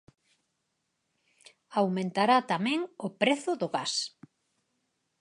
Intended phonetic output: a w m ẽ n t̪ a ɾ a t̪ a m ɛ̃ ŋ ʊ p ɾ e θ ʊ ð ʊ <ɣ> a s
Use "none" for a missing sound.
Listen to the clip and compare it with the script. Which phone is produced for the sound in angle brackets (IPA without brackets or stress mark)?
ɣ